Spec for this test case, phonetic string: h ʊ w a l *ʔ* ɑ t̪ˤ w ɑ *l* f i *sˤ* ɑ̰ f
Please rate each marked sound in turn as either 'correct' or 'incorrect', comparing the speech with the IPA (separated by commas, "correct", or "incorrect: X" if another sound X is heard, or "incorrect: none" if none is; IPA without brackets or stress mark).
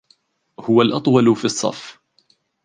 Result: correct, correct, incorrect: sˤː